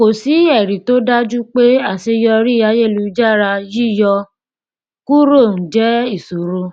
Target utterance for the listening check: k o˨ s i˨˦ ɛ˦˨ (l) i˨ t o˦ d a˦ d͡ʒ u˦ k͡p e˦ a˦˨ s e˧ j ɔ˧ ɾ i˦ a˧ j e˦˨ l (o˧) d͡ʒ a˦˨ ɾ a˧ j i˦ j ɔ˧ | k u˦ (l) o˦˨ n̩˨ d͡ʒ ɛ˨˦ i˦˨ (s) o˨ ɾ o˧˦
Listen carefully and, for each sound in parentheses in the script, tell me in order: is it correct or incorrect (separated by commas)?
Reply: incorrect, incorrect, incorrect, correct